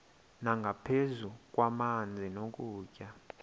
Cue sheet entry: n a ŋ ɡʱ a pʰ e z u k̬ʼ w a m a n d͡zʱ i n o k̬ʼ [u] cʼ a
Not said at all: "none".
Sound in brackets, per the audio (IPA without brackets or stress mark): uː